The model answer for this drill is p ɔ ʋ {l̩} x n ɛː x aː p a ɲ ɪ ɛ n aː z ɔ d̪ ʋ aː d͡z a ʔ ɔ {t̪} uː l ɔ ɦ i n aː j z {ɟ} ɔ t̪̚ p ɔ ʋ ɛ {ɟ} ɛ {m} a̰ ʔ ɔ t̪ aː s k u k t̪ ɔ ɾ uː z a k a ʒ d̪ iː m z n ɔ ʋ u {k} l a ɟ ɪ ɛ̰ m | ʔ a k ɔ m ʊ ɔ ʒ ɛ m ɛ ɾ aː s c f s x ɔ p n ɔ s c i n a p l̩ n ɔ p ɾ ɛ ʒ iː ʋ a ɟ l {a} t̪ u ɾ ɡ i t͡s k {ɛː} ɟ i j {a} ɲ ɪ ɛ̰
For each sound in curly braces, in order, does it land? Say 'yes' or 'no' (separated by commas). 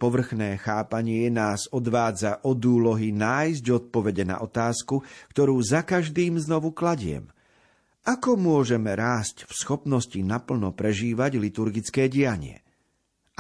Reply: no, no, yes, yes, no, yes, no, yes, yes